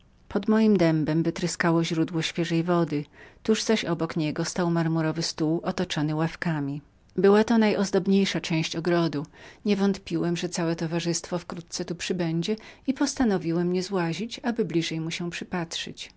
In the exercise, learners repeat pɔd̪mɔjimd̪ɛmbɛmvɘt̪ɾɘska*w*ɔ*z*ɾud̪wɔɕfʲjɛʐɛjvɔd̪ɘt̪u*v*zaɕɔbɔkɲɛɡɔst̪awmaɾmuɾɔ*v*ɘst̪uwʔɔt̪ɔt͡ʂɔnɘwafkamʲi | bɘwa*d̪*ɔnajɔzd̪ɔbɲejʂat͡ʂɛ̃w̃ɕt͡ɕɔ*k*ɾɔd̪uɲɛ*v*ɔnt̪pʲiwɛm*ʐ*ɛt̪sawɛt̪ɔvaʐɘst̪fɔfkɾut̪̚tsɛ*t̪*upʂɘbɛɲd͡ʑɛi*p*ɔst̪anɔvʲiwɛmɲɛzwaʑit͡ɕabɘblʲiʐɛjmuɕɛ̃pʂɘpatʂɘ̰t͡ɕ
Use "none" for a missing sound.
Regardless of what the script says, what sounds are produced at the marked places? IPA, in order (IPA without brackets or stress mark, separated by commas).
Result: w, ʑ, ʐ, v, t̪, ɡ, v, ʐ, t̪, p